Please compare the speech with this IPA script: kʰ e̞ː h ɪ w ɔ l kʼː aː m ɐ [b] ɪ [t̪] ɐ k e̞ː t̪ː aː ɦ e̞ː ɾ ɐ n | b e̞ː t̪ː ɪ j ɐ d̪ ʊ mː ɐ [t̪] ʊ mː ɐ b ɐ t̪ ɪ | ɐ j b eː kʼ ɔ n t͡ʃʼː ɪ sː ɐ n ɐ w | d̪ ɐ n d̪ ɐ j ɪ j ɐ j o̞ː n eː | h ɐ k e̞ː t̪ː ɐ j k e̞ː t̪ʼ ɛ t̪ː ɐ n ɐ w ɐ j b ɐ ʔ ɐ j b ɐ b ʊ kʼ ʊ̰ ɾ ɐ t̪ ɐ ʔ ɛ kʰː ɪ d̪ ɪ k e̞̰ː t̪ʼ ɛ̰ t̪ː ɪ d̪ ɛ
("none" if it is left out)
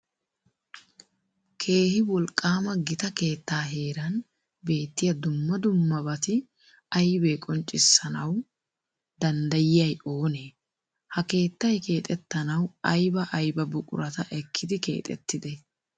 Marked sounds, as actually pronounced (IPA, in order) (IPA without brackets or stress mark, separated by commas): ɡ, t̪, d̪